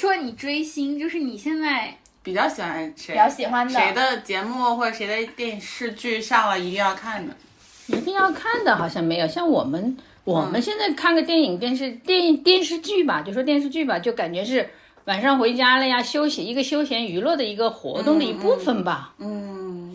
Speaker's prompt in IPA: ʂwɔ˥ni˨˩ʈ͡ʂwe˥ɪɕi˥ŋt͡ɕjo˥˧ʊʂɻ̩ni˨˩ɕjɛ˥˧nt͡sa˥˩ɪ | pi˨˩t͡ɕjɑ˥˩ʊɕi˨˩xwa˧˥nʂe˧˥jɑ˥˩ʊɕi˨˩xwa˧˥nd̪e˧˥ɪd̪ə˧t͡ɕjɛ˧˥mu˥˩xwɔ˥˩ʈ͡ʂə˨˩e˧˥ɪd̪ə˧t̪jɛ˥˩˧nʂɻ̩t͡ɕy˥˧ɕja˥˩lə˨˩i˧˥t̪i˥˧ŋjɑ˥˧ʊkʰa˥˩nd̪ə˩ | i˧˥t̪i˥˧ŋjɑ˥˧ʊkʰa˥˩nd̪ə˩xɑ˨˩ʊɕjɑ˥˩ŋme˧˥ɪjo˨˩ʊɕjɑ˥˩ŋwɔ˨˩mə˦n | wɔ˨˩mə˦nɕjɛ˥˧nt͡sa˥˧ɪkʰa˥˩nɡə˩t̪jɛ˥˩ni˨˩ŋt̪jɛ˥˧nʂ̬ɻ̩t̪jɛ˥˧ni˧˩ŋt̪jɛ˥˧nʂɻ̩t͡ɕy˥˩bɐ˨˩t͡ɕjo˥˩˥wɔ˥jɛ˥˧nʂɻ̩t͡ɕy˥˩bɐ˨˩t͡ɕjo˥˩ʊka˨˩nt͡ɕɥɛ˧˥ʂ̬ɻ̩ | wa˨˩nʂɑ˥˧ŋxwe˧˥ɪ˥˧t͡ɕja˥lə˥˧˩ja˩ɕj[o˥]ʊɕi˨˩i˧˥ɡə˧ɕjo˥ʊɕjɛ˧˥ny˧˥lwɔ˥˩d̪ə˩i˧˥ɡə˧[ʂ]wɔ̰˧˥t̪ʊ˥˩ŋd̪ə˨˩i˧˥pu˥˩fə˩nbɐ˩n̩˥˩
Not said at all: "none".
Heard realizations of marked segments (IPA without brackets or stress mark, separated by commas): o˥, x